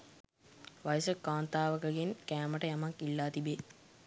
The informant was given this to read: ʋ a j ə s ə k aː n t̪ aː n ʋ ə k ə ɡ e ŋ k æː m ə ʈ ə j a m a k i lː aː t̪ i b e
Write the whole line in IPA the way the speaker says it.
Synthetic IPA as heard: ʋ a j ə s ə k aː n t̪ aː ʋ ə k ə ɡ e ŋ k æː m ə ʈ ə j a m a k i lː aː t̪ i b e